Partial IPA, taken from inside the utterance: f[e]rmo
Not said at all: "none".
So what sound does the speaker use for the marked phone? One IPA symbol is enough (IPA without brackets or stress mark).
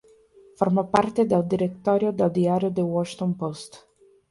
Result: a